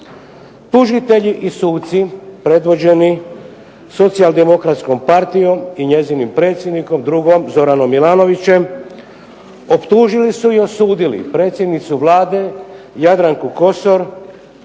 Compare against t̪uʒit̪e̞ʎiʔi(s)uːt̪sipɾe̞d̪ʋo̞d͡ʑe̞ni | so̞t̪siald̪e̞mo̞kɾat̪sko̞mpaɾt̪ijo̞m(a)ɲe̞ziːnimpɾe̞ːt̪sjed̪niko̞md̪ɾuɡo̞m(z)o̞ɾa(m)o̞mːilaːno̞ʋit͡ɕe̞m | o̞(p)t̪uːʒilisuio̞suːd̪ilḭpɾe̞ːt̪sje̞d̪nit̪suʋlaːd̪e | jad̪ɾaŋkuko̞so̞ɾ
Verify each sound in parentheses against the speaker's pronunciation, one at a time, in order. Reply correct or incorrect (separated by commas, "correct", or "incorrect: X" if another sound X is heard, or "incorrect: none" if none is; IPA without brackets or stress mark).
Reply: correct, incorrect: i, correct, incorrect: n, correct